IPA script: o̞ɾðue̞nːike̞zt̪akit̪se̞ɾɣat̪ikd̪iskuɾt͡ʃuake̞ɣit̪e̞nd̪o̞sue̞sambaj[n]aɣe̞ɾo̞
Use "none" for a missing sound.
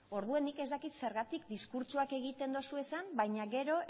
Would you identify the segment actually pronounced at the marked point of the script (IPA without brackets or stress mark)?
ɲ